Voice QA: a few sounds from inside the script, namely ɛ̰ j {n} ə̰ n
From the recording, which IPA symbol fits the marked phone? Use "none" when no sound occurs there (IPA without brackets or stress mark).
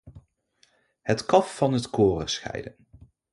d